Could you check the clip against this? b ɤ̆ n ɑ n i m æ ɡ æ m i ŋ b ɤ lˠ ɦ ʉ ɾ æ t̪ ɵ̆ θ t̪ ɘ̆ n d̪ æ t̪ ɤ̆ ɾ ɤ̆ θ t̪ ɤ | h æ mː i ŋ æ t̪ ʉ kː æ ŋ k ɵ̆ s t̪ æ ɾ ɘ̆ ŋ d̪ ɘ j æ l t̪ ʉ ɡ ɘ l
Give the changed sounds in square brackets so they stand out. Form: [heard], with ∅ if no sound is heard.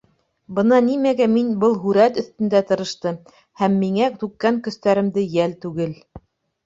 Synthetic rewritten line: b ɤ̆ n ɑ n i m æ ɡ æ m i [n] b ɤ lˠ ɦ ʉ ɾ æ t̪ ɵ̆ θ t̪ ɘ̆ n d̪ æ t̪ ɤ̆ ɾ ɤ̆ [ʃ] t̪ ɤ | h æ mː i ŋ æ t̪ ʉ kː æ ŋ k ɵ̆ s t̪ æ ɾ ɘ̆ [m] d̪ ɘ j æ l t̪ ʉ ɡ ɘ l